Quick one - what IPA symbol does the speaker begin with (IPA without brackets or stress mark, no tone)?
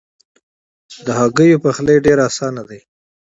d̪